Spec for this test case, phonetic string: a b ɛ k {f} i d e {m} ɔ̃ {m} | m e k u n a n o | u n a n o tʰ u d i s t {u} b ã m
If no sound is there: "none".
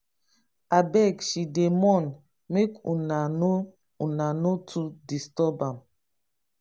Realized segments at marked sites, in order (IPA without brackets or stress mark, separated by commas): ʃ, m, n, ɔ